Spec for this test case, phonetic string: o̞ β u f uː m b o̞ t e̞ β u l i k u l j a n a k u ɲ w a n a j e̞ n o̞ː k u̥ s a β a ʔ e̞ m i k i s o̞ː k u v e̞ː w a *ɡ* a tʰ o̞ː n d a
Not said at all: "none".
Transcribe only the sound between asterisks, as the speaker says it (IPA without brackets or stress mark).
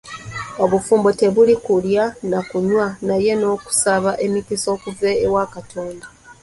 k